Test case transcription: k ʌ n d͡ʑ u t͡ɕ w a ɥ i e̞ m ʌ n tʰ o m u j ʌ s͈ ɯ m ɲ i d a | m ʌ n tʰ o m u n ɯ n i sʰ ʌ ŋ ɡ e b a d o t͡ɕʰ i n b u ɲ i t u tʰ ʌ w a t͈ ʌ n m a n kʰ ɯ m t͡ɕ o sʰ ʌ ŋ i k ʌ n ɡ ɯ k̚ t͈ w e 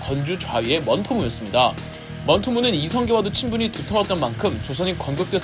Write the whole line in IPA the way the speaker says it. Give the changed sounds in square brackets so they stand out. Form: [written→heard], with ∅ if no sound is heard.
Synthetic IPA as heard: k ʌ n d͡ʑ u t͡ɕ w a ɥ i e̞ m ʌ n tʰ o m u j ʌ s͈ ɯ m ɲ i d a | m ʌ n tʰ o m u n ɯ n i sʰ ʌ ŋ ɡ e [b→w] a d o t͡ɕʰ i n b u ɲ i t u tʰ ʌ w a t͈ ʌ n m a n kʰ ɯ m t͡ɕ o sʰ ʌ [ŋ→ɲ] i k ʌ n ɡ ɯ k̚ t͈ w e